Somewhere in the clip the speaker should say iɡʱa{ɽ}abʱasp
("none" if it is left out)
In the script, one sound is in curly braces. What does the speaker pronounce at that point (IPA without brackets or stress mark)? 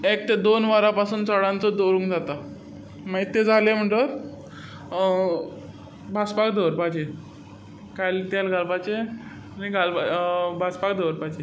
l